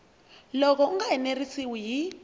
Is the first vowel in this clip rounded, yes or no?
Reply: yes